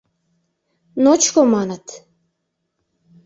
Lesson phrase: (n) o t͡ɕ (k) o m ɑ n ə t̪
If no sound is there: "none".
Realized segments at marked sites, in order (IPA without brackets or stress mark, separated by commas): n, k